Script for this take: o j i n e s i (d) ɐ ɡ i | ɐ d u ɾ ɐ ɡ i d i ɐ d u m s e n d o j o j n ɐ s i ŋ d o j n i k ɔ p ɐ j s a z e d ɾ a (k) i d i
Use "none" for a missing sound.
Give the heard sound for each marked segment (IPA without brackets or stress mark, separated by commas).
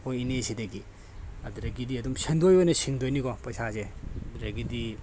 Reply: d, ɡ